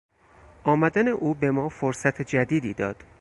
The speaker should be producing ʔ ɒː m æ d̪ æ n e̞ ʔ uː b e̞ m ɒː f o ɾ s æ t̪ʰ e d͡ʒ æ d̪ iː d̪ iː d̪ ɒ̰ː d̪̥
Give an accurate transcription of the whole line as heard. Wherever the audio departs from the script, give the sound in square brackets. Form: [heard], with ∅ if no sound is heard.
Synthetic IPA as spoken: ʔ ɒː m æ d̪ æ n e̞ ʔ uː b e̞ m ɒː f o ɾ s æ t̪ʰ e d͡ʒ æ d̪ iː d̪ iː d̪ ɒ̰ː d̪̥